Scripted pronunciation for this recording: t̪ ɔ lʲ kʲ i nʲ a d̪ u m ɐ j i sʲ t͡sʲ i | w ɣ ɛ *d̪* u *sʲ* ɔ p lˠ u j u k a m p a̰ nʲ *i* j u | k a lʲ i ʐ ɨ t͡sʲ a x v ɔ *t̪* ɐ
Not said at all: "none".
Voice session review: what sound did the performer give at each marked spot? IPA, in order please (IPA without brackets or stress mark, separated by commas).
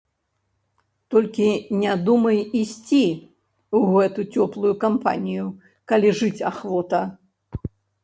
t̪, t͡sʲ, i, t̪